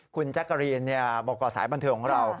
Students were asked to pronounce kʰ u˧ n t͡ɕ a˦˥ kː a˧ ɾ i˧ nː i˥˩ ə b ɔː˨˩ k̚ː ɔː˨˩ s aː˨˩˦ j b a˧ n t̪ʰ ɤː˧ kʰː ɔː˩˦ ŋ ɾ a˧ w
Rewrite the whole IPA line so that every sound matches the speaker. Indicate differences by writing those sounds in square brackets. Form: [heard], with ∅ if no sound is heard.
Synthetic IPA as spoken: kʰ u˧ n t͡ɕ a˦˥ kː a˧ ɾ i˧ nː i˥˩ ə b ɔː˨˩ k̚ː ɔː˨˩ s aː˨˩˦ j b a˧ n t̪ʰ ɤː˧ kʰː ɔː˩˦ ŋ ɾ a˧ w